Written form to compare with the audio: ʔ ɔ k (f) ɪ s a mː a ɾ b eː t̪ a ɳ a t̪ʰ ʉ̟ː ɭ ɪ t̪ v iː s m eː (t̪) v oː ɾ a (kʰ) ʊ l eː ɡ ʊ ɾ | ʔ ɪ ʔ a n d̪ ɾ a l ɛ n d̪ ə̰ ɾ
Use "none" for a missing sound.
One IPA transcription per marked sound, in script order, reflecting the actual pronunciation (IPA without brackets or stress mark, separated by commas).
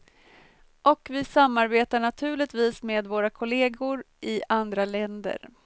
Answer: v, d̪, kʰ